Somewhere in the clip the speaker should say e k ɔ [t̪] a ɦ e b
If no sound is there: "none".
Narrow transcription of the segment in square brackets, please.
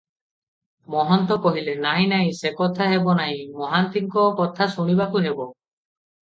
t̪ʰ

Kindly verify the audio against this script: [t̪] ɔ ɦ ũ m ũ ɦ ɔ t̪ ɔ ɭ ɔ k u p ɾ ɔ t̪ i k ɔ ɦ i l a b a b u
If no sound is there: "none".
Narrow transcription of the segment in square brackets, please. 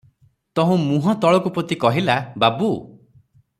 t̪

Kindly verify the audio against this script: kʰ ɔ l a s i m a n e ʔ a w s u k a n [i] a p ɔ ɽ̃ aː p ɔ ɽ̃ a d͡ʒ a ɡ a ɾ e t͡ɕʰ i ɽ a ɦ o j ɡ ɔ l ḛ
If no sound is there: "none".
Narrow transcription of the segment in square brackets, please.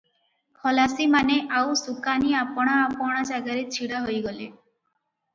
i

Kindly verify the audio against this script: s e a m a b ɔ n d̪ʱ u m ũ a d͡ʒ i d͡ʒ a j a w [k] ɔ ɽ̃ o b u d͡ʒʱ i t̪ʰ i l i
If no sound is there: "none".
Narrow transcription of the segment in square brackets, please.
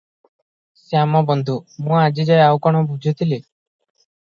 k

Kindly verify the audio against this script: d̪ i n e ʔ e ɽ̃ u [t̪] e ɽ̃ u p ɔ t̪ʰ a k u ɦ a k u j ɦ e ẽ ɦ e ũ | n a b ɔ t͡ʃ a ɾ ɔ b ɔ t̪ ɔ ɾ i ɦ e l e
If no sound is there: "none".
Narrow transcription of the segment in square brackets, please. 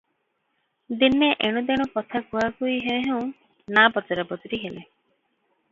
d̪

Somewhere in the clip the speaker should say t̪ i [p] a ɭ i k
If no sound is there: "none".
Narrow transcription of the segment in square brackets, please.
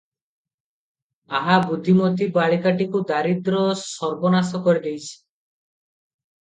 b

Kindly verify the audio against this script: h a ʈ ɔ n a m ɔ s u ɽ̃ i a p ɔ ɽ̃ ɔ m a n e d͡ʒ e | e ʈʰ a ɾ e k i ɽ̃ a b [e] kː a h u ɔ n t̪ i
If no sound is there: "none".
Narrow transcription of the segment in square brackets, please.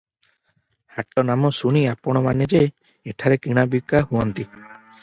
i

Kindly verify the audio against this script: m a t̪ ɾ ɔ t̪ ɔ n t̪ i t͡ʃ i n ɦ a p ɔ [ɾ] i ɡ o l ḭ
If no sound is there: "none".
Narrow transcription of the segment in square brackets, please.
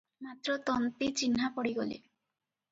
ɽ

